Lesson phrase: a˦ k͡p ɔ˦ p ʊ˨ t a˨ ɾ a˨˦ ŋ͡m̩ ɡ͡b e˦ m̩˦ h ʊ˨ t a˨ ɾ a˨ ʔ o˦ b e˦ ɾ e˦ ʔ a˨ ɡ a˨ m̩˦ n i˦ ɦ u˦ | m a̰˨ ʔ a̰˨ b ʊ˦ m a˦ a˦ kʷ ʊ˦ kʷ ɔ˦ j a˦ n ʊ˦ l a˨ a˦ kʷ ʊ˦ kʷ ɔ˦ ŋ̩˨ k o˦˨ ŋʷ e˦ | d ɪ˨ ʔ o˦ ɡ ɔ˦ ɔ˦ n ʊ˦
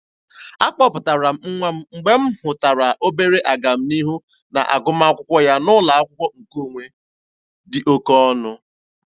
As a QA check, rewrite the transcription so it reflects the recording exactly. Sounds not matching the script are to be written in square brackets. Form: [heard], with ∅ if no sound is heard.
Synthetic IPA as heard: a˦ k͡p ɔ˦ p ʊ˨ t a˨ ɾ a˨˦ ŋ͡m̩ ɡ͡b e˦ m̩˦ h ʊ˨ t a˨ ɾ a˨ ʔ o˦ b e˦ ɾ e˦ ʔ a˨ ɡ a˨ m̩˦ n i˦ ɦ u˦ | [n] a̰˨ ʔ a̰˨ [ɡ] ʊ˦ m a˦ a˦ kʷ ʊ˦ kʷ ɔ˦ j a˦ n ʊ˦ l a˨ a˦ kʷ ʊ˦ kʷ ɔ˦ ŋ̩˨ k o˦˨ ŋʷ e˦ | d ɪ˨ ʔ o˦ [k] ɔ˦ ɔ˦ n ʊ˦